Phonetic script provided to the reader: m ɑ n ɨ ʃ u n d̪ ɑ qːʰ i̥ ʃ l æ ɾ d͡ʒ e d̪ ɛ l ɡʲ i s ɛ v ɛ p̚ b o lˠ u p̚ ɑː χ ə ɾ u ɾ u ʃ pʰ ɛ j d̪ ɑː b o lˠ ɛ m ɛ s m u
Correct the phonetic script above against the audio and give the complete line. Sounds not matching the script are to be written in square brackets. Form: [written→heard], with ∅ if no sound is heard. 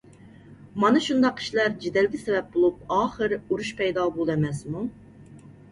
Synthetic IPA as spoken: m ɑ n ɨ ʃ u n d̪ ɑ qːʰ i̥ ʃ l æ ɾ d͡ʒ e d̪ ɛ l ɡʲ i s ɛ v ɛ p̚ b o lˠ u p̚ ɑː χ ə ɾ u ɾ u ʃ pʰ ɛ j d̪ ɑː b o lˠ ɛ m ɛ s m u